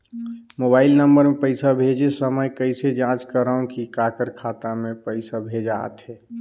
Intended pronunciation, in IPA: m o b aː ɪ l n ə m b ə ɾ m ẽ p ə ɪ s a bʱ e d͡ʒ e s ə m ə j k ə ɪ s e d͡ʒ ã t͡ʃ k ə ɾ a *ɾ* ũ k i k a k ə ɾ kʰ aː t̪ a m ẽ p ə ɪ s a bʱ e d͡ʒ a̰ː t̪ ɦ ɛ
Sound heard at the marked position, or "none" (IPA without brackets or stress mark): none